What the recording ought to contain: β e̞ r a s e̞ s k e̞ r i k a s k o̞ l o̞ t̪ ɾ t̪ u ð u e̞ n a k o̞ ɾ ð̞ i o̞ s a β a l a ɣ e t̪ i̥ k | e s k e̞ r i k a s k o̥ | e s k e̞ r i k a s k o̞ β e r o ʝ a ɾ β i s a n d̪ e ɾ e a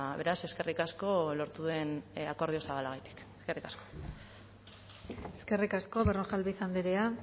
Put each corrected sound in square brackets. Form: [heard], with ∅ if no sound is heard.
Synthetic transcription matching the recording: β e̞ [ɾ] a s e̞ s k e̞ r i k a s k o̞ l o̞ [∅] ɾ t̪ u ð u e̞ n a k o̞ ɾ ð̞ i o̞ s a β a l a ɣ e t̪ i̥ k | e s k e̞ r i k a s k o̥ | e s k e̞ r i k a s k o̞ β e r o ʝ a [l] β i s a n d̪ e ɾ e a